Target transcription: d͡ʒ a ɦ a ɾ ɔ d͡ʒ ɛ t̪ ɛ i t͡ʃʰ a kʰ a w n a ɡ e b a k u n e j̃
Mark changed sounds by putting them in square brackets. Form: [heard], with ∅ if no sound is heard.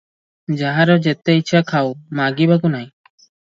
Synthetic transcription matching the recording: d͡ʒ a ɦ a ɾ ɔ d͡ʒ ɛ t̪ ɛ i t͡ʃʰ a kʰ a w [m] a ɡ [i] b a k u n [a] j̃